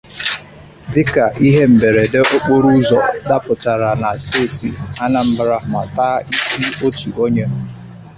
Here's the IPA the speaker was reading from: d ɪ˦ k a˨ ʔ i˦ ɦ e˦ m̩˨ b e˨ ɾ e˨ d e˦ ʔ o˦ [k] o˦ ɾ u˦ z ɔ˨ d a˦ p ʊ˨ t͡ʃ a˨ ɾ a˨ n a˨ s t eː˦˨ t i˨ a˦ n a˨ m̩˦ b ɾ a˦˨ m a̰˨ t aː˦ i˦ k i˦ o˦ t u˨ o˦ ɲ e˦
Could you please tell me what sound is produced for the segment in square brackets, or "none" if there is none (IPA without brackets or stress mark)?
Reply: k͡p